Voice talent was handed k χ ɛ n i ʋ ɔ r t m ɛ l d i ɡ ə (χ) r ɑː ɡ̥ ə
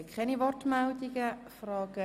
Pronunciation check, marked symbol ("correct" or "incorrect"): incorrect